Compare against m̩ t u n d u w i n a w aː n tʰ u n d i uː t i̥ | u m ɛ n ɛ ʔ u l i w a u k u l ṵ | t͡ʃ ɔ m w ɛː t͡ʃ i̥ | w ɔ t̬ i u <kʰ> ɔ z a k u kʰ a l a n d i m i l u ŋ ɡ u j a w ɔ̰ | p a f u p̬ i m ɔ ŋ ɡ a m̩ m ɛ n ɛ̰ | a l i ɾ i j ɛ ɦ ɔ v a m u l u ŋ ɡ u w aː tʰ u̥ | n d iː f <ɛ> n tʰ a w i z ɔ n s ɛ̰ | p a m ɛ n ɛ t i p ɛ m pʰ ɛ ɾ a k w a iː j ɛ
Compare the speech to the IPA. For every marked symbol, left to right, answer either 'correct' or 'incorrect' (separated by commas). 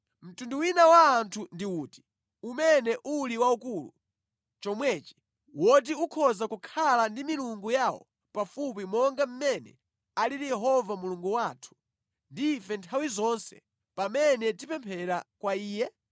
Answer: correct, correct